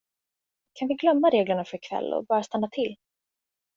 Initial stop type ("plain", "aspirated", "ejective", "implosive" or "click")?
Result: aspirated